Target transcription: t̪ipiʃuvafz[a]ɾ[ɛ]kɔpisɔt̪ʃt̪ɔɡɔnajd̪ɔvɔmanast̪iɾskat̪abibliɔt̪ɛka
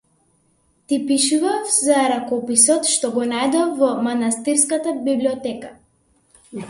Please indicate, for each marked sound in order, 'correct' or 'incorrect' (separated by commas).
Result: correct, incorrect